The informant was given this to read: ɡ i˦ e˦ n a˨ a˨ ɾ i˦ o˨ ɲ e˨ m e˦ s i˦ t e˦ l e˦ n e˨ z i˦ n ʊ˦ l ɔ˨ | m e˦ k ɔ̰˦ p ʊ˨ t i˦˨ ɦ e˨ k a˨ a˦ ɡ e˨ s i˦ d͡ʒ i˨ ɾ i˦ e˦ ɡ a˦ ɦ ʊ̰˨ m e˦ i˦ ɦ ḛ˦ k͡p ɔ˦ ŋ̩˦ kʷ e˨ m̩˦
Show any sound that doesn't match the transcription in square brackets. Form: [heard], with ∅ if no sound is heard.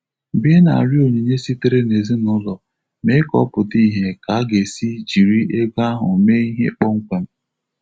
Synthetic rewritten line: [b] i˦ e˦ n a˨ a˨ ɾ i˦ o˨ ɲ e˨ [ɲ] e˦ s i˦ t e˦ [ɾ] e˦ n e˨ z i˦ n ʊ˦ l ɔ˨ | m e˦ k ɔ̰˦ p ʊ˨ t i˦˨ ɦ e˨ k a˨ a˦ ɡ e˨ s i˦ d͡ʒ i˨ ɾ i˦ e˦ ɡ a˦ ɦ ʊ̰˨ m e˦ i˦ ɦ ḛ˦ k͡p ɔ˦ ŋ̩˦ kʷ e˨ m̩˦